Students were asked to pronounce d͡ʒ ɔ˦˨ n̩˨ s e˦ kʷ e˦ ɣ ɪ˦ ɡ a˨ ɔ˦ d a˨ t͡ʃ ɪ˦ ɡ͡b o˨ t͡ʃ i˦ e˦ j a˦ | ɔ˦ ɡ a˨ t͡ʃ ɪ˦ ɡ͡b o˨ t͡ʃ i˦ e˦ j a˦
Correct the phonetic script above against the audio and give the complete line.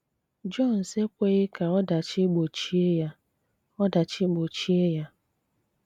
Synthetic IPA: d͡ʒ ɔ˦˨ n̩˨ s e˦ kʷ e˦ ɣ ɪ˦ k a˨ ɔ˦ d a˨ t͡ʃ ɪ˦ ɡ͡b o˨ t͡ʃ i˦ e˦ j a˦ | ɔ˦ d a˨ t͡ʃ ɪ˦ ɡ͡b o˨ t͡ʃ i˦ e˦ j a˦